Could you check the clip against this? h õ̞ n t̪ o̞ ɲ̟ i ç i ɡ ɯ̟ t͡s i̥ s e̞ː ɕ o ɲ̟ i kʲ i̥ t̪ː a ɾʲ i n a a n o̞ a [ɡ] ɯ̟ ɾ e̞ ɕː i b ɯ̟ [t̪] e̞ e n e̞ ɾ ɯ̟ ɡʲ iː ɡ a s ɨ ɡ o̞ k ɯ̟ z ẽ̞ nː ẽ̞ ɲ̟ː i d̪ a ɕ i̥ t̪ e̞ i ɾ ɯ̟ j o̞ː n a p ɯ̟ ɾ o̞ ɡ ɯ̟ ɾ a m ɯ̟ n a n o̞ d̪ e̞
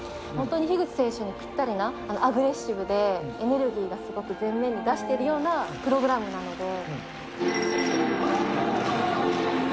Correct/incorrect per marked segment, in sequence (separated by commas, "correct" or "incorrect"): correct, incorrect